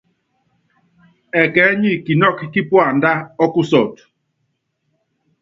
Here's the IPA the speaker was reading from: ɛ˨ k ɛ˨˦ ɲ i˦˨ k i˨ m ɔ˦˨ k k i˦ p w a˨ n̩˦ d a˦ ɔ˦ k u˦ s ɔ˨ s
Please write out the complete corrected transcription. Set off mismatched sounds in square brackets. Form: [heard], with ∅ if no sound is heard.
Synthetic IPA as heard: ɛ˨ k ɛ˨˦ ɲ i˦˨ k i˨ [n] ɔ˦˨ k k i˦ p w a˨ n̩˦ d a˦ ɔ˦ k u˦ s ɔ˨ [t]